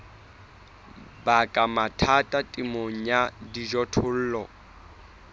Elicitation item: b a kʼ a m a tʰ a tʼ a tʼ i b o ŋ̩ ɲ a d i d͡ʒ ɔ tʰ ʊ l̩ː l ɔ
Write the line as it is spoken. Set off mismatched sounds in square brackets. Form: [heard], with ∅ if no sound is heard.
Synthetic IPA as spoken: b a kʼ a m a tʰ a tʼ a tʼ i [m] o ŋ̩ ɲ a d i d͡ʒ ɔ tʰ ʊ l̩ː l ɔ